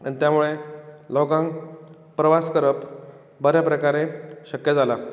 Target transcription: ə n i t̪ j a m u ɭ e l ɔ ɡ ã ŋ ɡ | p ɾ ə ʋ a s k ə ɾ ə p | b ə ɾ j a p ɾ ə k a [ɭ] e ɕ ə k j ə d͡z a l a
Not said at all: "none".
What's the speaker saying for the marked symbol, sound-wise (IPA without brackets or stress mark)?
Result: ɾ